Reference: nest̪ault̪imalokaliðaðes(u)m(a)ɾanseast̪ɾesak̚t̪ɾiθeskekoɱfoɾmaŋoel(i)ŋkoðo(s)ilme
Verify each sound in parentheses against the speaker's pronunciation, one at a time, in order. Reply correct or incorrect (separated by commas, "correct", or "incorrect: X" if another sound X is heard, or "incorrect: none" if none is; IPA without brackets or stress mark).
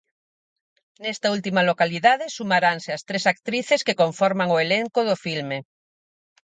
correct, correct, incorrect: e, incorrect: f